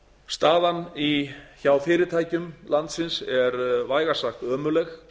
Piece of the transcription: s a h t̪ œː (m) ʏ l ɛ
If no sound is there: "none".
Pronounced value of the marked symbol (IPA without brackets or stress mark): m